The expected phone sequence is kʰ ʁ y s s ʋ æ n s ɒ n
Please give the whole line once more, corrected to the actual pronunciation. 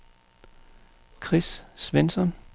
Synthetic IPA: kʰ ʁ i s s ʋ e n s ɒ n